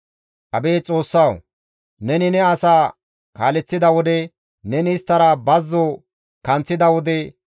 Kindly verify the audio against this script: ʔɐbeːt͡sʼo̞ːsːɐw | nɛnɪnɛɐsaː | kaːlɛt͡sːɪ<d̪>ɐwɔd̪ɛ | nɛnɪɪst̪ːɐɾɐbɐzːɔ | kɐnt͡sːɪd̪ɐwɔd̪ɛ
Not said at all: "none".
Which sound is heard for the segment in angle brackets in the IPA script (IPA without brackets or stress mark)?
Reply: d̪